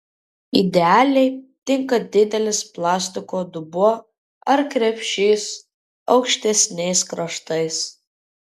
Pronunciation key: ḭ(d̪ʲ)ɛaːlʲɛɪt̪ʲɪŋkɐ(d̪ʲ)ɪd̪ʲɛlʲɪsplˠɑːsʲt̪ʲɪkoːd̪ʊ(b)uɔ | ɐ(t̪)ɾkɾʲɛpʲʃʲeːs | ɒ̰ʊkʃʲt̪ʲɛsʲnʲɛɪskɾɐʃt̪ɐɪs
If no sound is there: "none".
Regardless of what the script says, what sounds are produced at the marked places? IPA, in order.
d̪ʲ, d̪ʲ, b, none

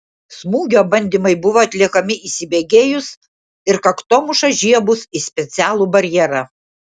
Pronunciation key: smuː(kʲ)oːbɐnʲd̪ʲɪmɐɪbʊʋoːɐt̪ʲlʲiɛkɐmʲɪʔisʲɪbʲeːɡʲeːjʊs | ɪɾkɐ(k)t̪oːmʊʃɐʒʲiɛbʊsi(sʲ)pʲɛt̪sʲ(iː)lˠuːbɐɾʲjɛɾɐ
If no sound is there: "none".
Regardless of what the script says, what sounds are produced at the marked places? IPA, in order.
ɡʲ, k, sʲ, æː

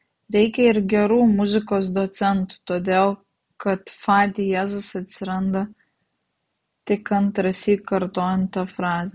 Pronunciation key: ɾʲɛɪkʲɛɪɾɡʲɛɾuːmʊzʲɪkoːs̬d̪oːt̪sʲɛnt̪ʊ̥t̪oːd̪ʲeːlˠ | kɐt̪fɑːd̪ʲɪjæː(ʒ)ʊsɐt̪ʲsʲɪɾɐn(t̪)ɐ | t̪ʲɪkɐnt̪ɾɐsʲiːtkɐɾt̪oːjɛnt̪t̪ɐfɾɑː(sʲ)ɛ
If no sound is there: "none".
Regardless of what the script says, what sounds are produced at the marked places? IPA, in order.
z, d̪, zʲ

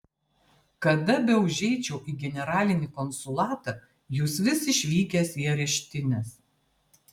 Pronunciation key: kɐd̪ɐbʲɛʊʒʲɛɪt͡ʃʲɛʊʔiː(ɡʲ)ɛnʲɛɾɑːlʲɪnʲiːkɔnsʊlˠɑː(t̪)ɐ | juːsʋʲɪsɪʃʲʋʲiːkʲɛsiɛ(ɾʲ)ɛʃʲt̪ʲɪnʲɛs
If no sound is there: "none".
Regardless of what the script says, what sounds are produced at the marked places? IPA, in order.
ɡʲ, t̪, ɾʲ

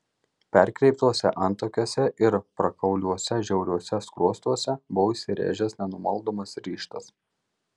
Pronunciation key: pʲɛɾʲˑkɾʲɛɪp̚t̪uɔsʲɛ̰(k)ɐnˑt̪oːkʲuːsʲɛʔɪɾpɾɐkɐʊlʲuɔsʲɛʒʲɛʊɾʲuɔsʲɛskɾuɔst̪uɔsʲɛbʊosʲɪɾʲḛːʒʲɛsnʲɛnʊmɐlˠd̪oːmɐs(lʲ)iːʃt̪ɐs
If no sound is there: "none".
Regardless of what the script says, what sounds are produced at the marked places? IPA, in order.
ʔ, ɾʲ

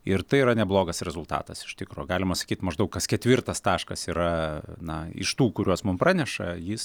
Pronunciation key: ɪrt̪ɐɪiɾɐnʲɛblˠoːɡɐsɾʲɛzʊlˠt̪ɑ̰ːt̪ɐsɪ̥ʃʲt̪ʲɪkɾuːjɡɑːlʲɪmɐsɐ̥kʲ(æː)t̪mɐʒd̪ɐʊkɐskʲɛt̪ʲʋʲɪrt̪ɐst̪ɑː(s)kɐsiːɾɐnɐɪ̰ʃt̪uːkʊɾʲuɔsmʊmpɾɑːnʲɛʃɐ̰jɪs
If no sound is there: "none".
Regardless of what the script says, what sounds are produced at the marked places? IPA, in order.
iː, ʃ

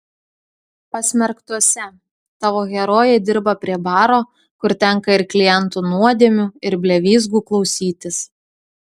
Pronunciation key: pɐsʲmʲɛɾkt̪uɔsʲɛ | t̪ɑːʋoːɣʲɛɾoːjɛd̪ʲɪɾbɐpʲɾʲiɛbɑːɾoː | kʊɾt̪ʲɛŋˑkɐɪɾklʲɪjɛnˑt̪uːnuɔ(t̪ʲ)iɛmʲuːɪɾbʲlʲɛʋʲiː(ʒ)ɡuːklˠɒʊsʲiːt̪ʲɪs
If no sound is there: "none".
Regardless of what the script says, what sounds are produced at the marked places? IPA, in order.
d̪ʲ, z

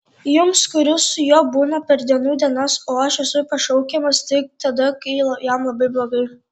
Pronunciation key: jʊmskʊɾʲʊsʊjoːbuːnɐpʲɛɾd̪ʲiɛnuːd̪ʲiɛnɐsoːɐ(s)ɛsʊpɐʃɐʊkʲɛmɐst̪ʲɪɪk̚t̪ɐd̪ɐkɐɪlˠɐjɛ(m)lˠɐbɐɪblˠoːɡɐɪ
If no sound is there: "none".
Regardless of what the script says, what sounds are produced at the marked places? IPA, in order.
ʃ, m

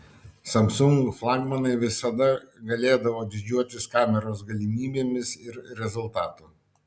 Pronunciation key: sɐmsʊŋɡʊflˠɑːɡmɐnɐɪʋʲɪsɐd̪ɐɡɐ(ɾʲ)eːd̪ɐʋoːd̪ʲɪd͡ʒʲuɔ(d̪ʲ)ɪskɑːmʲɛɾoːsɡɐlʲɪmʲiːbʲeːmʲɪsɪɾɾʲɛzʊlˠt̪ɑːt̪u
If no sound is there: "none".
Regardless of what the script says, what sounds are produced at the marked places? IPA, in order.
lʲ, t̪ʲ

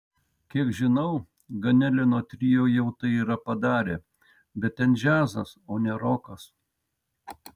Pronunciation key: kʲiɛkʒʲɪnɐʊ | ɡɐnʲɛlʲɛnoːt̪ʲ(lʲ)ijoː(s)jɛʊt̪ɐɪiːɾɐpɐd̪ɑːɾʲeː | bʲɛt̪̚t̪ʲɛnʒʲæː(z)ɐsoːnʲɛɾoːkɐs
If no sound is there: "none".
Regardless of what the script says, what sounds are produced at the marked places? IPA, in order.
ɾʲ, none, z

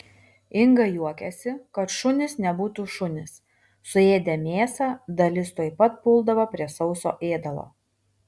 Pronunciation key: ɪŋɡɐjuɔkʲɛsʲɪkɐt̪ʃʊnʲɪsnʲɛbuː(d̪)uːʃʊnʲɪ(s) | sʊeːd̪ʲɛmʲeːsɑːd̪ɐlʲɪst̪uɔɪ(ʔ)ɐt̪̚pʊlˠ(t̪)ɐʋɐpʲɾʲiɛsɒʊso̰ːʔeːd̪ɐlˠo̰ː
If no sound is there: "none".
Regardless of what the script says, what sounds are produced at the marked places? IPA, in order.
t̪, s, p, d̪

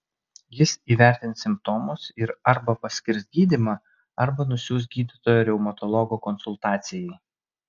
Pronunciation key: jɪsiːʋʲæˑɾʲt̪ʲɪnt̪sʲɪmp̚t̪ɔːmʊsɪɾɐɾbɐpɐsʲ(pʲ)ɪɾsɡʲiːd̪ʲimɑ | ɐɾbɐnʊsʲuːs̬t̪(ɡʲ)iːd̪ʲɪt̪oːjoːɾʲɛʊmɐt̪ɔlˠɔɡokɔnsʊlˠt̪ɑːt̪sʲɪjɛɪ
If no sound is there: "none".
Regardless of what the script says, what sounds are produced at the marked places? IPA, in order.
kʲ, ɡʲ

